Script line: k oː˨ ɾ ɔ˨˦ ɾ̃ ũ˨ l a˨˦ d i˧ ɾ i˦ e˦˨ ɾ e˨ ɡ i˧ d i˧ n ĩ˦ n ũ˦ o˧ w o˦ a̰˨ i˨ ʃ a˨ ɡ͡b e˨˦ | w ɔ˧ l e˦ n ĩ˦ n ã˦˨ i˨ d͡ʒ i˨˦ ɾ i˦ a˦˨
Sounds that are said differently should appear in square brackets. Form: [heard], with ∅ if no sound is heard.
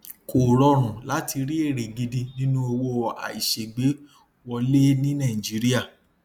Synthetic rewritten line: k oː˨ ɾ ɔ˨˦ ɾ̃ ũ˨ l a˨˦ [t] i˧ ɾ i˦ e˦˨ ɾ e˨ ɡ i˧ d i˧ n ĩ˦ n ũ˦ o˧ w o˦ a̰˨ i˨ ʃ [e˨] ɡ͡b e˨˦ | w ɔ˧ l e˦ n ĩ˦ n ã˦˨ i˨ d͡ʒ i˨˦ ɾ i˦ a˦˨